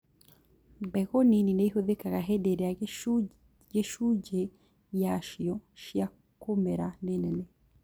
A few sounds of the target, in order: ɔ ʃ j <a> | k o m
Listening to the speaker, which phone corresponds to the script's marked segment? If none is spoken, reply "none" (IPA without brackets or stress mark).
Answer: a